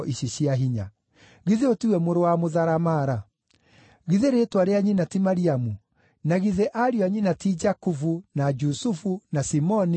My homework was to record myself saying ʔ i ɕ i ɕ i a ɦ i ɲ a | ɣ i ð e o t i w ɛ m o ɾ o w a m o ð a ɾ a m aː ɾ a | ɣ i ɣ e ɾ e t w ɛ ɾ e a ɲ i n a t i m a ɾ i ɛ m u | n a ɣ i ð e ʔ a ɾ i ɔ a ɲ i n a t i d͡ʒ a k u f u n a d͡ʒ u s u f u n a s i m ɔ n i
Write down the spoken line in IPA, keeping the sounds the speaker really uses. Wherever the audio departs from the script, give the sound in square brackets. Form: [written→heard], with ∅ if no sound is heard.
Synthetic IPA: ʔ i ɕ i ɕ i a ɦ i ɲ a | ɣ i ð e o t i w ɛ m o ɾ o w a m o ð a ɾ a m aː ɾ a | ɣ i [ɣ→ð] e ɾ e t w [ɛ→a] ɾ e a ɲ i n a t i m a ɾ i [ɛ→a] m u | n a ɣ i ð e ʔ a ɾ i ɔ a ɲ i n a t i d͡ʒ a k u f u n a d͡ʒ u s u f u n a s i m ɔ n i